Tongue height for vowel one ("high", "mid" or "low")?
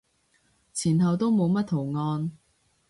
high